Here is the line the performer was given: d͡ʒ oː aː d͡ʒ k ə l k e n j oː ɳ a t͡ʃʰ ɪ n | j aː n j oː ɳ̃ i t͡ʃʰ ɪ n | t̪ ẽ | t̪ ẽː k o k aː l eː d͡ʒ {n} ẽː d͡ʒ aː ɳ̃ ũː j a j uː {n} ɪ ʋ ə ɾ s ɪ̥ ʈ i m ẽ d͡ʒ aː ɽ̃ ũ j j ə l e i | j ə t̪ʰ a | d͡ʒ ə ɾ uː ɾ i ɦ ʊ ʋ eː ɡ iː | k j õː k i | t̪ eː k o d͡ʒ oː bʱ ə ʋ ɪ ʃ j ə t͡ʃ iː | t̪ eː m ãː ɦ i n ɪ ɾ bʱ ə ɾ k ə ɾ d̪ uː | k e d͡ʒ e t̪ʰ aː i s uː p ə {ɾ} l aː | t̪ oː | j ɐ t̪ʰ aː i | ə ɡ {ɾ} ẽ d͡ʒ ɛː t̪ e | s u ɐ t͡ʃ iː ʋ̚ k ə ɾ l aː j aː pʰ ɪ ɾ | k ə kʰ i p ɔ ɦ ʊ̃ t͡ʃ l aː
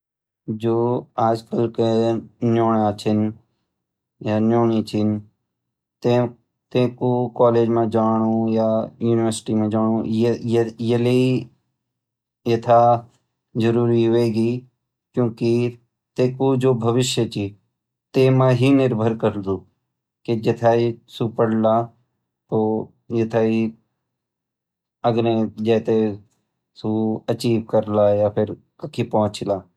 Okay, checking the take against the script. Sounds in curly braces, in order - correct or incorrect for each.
incorrect, correct, incorrect, correct

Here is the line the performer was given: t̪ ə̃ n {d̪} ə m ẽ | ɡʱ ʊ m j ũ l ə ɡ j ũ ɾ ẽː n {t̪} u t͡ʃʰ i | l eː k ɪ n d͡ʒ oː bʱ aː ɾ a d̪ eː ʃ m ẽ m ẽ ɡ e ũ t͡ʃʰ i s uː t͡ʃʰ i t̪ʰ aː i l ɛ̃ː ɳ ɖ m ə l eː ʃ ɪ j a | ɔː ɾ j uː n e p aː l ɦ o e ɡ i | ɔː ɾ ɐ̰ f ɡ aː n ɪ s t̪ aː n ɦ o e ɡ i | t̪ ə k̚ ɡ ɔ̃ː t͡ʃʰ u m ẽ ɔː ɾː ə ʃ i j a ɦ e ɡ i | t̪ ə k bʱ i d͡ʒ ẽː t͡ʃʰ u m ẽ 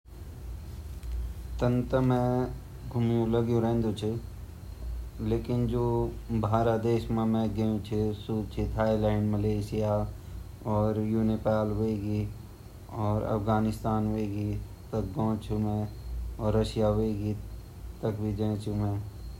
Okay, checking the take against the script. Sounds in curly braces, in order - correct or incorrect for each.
incorrect, incorrect

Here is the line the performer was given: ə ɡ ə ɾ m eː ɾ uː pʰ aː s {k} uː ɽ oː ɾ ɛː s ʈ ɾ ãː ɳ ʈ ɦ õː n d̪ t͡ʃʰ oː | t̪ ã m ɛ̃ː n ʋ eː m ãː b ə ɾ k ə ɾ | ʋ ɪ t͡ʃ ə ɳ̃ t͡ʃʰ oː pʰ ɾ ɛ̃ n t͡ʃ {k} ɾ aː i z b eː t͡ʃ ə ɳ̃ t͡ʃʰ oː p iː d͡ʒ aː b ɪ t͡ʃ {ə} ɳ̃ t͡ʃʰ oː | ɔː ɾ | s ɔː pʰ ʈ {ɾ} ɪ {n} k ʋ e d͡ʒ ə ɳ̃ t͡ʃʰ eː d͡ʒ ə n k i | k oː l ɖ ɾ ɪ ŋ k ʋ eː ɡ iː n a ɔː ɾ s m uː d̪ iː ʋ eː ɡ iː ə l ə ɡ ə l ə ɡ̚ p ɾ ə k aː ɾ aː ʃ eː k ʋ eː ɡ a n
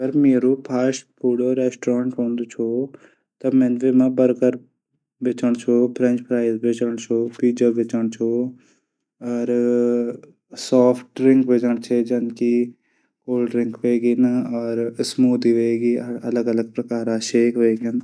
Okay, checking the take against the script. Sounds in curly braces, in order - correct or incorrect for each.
incorrect, incorrect, correct, correct, incorrect

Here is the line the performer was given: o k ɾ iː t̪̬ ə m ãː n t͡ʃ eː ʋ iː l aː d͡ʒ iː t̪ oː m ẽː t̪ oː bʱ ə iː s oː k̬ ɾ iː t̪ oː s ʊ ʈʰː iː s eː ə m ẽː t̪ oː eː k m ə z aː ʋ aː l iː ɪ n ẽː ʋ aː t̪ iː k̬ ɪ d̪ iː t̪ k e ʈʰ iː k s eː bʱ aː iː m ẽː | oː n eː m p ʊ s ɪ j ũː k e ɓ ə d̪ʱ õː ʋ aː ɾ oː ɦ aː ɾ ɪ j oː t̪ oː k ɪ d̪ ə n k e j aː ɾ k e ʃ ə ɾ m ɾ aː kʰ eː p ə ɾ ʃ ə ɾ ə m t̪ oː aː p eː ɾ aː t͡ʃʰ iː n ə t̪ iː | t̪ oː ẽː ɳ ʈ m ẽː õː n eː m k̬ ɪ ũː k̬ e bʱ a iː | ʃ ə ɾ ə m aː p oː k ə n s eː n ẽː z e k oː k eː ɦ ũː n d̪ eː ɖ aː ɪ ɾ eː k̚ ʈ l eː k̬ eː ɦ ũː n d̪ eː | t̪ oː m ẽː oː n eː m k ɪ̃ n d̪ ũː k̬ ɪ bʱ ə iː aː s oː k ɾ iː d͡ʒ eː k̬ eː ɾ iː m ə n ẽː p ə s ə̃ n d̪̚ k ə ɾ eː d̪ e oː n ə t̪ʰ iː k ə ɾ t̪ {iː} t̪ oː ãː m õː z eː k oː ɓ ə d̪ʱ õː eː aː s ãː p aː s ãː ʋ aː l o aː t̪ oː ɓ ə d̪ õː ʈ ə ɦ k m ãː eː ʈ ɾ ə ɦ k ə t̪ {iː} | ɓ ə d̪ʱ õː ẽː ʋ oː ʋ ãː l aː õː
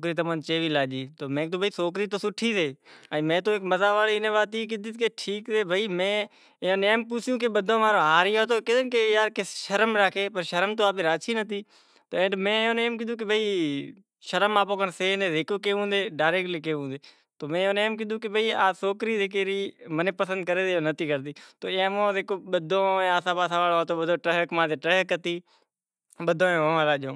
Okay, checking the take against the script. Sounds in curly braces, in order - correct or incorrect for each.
correct, correct

